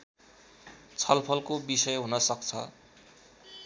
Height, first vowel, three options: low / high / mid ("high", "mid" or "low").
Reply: mid